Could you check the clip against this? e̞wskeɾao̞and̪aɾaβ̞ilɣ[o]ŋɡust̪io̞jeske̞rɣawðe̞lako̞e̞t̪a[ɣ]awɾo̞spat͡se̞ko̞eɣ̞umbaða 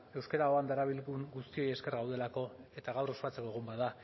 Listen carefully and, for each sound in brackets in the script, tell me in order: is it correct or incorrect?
incorrect: u, correct

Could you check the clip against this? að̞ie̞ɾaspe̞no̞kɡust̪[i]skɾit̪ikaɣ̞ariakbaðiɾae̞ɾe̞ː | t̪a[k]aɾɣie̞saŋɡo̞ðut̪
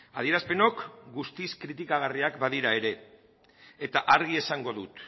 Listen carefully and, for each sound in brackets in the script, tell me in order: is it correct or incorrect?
correct, incorrect: ʔ

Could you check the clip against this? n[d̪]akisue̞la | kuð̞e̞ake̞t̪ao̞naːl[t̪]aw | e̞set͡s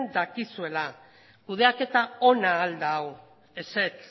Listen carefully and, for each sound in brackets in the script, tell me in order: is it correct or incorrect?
correct, incorrect: d̪

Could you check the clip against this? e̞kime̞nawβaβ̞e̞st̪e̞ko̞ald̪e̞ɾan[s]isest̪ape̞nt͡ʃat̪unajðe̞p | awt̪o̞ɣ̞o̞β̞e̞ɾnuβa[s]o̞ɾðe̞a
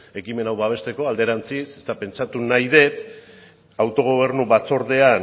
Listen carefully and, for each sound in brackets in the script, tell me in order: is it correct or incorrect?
incorrect: t͡s, incorrect: t͡s

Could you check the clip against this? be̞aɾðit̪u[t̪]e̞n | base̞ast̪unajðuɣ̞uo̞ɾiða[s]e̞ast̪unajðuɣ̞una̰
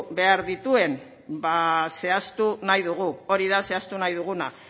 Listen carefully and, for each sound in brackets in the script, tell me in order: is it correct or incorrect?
incorrect: none, correct

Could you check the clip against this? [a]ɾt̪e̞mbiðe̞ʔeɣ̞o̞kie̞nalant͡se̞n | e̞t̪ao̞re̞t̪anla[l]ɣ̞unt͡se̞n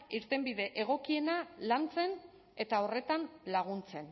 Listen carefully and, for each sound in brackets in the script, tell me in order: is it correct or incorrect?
incorrect: i, incorrect: none

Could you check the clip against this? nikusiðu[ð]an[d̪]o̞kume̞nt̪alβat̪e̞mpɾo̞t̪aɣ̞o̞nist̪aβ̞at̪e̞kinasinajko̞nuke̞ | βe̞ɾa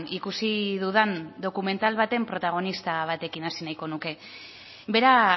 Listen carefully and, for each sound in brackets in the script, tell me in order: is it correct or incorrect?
correct, correct

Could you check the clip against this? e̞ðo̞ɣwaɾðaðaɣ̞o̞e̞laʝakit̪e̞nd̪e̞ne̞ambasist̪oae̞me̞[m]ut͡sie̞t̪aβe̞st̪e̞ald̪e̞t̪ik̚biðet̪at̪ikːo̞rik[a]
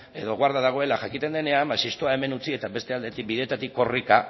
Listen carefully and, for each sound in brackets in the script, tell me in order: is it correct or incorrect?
incorrect: n, correct

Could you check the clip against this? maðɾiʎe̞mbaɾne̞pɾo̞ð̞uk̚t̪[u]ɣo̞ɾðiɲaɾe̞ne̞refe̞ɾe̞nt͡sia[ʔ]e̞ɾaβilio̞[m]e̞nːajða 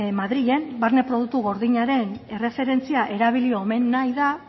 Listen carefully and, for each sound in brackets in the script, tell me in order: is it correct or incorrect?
correct, correct, correct

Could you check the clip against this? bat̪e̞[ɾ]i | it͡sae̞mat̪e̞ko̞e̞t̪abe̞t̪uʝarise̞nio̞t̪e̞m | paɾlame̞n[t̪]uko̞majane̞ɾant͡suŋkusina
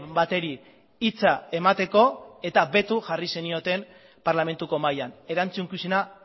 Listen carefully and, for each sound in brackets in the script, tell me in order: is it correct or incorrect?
correct, correct

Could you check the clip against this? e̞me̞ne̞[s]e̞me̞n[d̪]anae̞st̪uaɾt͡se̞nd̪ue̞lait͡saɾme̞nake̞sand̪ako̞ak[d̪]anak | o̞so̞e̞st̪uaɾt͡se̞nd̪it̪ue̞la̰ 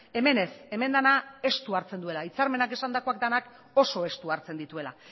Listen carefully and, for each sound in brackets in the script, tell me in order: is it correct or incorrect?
correct, correct, correct

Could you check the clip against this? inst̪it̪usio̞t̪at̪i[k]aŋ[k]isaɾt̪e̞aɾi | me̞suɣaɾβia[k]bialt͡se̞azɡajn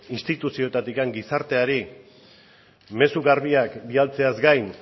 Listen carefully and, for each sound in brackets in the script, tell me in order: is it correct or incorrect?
correct, incorrect: ɡ, correct

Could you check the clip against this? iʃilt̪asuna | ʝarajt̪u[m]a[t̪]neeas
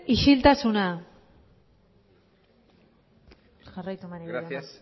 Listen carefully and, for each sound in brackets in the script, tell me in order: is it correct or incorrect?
correct, incorrect: none

